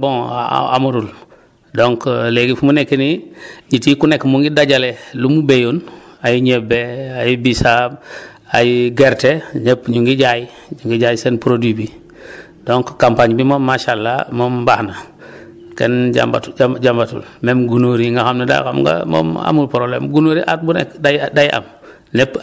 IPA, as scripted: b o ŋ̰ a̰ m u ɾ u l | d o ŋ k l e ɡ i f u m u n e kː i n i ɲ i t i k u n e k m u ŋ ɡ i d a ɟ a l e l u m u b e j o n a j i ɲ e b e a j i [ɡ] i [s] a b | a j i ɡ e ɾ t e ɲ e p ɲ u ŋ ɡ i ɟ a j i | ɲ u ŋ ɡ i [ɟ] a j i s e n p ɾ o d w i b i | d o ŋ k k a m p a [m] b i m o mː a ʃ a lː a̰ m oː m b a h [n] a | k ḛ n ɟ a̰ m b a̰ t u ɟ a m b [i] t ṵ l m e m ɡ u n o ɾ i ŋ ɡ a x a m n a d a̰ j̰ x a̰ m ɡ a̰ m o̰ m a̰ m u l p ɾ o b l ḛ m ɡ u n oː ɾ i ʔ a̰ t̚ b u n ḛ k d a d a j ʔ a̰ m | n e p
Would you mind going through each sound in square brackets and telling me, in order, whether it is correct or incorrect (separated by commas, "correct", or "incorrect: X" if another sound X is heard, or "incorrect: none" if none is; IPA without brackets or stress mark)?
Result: incorrect: b, correct, correct, incorrect: ɲ, correct, incorrect: a